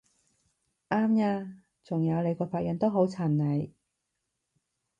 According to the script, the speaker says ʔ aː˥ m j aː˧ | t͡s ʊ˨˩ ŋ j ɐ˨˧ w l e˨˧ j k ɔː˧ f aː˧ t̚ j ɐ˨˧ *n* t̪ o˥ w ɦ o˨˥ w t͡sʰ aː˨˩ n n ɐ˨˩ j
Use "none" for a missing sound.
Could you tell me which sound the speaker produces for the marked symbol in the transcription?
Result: n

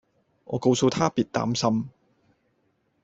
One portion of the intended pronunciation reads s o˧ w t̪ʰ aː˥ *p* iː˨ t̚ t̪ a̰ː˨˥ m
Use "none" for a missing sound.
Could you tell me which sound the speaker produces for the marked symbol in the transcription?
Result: p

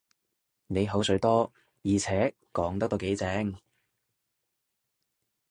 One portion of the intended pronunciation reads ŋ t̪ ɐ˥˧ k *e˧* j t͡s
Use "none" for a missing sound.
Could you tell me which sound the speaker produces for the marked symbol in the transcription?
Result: e˨˥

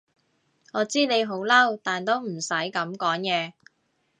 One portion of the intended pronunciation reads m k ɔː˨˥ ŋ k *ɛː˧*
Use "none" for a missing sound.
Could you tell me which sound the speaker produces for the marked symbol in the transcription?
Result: ɛː˧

